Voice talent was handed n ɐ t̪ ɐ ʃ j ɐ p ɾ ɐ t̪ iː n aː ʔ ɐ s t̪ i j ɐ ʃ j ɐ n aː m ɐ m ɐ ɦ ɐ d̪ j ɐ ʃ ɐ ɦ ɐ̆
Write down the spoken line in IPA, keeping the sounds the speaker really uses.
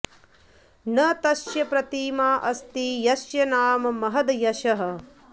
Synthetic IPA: n ɐ t̪ ɐ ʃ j ɐ p ɾ ɐ t̪ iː m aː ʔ ɐ s t̪ i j ɐ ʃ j ɐ n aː m ɐ m ɐ ɦ ɐ d̪ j ɐ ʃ ɐ ɦ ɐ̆